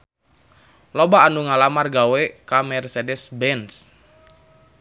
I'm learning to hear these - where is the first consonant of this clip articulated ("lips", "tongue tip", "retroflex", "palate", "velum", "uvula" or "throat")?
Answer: tongue tip